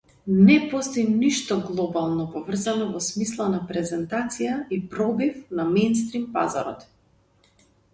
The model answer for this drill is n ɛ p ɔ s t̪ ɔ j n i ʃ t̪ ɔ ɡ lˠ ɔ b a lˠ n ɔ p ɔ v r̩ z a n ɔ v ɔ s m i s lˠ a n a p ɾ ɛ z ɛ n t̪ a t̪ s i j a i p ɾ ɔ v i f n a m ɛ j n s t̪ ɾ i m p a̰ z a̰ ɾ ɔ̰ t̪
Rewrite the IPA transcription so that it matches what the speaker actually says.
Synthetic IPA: n ɛ p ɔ s t̪ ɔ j n i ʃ t̪ ɔ ɡ lˠ ɔ b a lˠ n ɔ p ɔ v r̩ z a n ɔ v ɔ s m i s lˠ a n a p ɾ ɛ z ɛ n t̪ a t̪ s i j a i p ɾ ɔ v i f n a m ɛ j n s t̪ ɾ i m p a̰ z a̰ ɾ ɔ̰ t̪